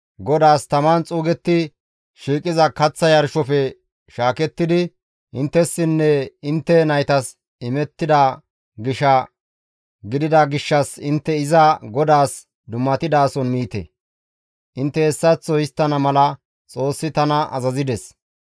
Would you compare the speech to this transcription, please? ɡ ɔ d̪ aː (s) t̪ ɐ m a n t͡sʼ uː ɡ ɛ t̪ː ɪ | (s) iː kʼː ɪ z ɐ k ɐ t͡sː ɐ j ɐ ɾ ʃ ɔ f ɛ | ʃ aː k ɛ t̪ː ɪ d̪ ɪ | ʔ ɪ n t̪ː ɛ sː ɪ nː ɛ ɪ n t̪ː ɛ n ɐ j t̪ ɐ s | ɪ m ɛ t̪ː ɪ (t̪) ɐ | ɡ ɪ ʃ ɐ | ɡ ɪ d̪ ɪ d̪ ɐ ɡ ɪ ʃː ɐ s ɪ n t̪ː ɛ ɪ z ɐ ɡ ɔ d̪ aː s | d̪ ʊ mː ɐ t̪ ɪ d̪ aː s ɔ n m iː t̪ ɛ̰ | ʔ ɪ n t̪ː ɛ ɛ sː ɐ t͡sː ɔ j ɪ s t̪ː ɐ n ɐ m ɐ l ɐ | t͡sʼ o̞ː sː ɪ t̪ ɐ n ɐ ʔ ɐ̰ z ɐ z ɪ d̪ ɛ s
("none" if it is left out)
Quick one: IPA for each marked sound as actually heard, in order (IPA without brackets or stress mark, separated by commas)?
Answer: s, ʃ, d̪